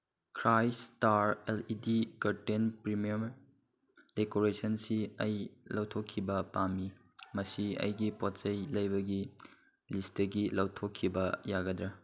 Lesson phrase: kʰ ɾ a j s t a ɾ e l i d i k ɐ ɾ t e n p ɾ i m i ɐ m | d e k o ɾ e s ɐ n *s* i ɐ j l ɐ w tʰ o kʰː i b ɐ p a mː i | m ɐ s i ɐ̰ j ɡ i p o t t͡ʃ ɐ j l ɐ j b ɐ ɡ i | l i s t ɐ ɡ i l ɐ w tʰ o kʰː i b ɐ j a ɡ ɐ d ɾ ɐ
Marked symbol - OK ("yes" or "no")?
yes